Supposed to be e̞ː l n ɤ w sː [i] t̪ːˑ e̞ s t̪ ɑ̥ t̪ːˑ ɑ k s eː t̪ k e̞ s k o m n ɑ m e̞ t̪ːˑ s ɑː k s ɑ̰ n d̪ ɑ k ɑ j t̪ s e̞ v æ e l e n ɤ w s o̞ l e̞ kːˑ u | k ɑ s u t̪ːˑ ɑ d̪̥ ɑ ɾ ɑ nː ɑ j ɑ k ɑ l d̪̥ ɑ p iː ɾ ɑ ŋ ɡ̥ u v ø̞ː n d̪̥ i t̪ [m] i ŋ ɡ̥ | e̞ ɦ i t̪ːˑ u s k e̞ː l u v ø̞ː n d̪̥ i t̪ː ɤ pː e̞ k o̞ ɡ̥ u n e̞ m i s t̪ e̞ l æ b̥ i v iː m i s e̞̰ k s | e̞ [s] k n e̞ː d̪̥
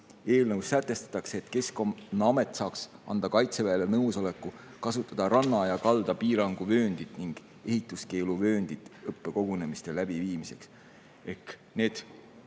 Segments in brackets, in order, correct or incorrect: incorrect, incorrect, incorrect

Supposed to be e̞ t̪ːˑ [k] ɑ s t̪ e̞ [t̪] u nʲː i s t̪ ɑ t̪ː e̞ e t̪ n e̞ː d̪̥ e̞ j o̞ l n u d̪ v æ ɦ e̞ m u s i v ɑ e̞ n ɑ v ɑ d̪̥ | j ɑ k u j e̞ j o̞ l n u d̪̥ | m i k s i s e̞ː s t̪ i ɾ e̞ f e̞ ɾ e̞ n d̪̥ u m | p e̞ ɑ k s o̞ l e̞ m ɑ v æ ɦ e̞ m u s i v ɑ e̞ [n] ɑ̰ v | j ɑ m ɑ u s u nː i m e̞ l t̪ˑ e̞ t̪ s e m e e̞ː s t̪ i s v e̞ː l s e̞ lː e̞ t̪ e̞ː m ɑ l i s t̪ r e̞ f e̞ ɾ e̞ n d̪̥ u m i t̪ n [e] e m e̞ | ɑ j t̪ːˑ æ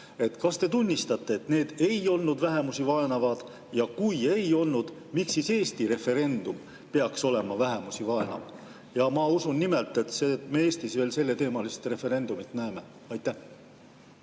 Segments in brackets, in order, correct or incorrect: correct, correct, correct, incorrect

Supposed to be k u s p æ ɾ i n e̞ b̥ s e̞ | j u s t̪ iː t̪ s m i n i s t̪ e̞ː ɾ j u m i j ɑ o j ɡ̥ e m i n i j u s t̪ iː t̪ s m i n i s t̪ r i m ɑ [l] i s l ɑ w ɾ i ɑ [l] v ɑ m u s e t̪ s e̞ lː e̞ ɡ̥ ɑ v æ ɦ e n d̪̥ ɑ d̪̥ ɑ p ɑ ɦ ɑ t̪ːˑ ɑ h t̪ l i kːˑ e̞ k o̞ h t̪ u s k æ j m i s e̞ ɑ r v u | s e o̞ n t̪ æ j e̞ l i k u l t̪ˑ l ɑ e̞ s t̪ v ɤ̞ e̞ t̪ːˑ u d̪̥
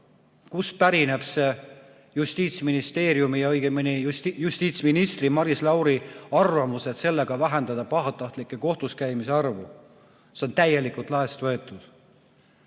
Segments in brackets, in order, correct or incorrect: incorrect, incorrect

